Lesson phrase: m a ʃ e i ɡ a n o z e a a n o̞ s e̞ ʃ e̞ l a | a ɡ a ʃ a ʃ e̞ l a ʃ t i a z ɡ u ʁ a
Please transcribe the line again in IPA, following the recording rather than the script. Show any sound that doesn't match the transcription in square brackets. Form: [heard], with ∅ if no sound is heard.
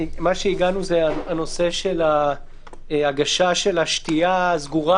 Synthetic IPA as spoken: m a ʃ e i ɡ a n [u] z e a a n o̞ s e̞ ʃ e̞ l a | a ɡ a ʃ a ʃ e̞ l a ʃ t i a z ɡ u ʁ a